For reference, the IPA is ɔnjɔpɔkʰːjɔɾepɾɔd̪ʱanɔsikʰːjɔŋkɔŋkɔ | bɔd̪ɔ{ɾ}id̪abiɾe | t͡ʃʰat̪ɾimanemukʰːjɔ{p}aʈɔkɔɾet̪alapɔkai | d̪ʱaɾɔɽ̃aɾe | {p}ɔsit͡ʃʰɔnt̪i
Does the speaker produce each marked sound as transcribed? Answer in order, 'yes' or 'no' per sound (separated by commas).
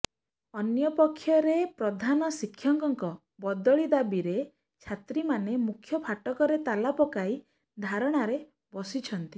no, no, no